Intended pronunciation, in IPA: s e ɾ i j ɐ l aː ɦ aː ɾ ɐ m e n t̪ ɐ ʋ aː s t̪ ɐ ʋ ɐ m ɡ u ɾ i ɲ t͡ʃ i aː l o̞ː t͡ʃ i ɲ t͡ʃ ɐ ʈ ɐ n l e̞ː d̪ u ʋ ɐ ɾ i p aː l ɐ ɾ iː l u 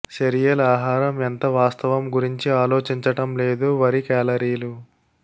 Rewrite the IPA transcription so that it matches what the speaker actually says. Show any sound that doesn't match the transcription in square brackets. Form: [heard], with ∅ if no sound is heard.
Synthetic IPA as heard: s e ɾ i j ɐ l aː ɦ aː ɾ ɐ m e n t̪ ɐ ʋ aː s t̪ ɐ ʋ ɐ m ɡ u ɾ i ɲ t͡ʃ i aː l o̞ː t͡ʃ i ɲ t͡ʃ ɐ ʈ ɐ [m] l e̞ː d̪ u ʋ ɐ ɾ i [k] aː l ɐ ɾ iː l u